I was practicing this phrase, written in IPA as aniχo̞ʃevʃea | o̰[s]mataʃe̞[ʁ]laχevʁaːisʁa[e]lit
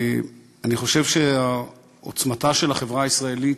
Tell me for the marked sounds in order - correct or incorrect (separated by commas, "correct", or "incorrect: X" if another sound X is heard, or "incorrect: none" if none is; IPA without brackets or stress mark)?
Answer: incorrect: t͡s, incorrect: none, correct